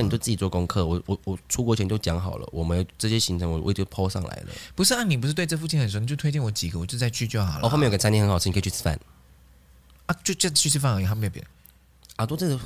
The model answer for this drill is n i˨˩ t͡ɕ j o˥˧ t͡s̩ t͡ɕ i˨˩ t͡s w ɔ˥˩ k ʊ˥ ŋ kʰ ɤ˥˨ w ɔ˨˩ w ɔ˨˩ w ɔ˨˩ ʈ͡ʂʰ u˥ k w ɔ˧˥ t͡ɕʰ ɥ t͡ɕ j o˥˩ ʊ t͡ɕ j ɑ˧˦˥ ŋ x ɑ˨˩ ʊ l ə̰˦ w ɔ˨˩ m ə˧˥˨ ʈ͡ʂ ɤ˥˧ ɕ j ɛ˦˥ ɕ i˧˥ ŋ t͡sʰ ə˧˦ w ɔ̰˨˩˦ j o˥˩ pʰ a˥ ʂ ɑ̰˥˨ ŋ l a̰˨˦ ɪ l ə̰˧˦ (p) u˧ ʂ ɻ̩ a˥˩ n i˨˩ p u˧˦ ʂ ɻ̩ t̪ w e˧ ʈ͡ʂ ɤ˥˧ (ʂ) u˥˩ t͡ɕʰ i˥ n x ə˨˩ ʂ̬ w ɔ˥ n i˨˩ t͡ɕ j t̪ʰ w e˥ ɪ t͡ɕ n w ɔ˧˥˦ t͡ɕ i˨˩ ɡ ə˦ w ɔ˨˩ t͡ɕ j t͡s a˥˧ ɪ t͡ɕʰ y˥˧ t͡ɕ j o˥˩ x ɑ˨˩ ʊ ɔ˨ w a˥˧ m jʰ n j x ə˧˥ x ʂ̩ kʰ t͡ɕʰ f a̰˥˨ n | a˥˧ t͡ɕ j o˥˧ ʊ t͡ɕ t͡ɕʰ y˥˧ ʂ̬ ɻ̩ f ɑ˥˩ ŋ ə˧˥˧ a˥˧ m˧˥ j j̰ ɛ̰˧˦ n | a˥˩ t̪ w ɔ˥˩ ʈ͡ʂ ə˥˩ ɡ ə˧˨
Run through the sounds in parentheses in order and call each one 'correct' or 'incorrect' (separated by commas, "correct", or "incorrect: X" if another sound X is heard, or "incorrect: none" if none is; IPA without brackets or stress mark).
correct, incorrect: f